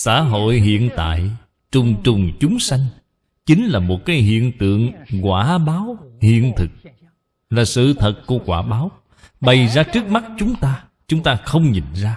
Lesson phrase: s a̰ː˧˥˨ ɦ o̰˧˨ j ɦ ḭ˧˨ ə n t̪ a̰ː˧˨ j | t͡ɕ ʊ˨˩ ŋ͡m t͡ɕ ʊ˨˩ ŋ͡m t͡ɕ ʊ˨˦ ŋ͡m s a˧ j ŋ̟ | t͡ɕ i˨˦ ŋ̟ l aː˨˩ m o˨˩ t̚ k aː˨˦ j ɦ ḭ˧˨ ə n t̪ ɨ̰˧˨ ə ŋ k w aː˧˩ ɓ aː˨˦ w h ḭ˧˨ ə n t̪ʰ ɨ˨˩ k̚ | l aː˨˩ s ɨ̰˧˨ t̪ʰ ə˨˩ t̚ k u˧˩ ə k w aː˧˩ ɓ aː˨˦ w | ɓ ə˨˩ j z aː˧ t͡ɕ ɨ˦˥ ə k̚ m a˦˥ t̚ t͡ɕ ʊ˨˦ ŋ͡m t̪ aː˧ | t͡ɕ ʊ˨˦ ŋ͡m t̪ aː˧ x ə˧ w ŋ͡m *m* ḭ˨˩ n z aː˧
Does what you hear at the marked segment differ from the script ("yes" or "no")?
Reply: yes